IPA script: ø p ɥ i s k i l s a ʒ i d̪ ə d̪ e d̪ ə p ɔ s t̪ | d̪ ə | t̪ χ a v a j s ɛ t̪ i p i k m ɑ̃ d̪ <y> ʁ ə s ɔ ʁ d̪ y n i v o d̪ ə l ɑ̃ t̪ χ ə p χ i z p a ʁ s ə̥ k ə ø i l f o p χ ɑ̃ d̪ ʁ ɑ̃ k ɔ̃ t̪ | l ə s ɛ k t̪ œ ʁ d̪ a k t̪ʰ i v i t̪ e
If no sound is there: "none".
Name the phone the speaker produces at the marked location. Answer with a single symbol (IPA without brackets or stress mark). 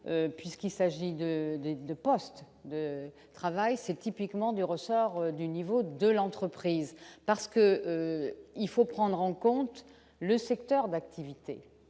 y